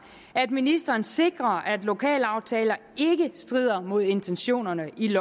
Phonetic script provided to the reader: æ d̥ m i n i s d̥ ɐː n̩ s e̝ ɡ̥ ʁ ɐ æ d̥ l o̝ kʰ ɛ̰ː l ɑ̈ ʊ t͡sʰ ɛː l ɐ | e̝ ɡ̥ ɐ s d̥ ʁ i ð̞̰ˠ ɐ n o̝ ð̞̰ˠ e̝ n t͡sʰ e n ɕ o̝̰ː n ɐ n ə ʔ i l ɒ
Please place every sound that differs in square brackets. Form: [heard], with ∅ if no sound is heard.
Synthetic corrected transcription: æ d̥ m i n i s d̥ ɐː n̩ s e̝ ɡ̥ ʁ ɐ æ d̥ l o̝ kʰ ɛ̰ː l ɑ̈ ʊ t͡sʰ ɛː l ɐ | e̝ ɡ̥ [ə] s d̥ ʁ i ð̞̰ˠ ɐ [m] o̝ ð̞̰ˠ e̝ n t͡sʰ e n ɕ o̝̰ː n ɐ n ə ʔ i l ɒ